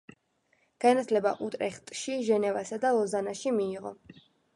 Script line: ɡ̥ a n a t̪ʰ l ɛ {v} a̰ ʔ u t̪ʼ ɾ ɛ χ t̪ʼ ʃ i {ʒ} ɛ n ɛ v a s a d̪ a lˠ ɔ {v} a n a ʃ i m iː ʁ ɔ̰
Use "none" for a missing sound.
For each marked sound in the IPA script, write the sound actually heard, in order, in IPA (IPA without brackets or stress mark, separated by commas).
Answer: b, ʒ, z